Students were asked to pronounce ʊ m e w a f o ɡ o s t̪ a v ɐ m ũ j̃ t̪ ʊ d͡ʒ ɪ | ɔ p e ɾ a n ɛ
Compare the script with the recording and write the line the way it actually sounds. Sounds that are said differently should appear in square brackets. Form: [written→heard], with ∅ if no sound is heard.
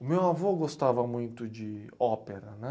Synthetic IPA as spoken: ʊ m e w a [f→v] o ɡ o s t̪ a v ɐ m ũ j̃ t̪ ʊ d͡ʒ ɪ | ɔ p e ɾ [a→ɐ] n ɛ